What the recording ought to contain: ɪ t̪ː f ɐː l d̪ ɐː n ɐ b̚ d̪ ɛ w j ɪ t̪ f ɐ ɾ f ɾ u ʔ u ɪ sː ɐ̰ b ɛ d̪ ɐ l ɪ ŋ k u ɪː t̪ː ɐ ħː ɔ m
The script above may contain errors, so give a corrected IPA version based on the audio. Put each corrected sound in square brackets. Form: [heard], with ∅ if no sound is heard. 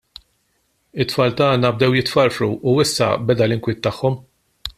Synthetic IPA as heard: ɪ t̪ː f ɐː l [t̪] ɐː n ɐ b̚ d̪ ɛ w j ɪ t̪ f ɐ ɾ f ɾ u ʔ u ɪ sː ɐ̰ b ɛ d̪ ɐ l ɪ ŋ k [w] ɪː t̪ː ɐ ħː ɔ m